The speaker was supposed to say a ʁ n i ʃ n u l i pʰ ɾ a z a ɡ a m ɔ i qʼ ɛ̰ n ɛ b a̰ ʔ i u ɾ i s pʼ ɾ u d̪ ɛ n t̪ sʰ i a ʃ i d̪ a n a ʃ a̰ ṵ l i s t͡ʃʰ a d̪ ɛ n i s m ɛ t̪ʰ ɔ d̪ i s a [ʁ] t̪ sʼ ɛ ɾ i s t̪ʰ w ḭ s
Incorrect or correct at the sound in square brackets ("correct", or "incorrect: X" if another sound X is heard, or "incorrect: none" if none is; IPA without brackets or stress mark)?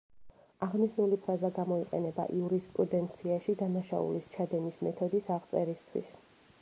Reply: correct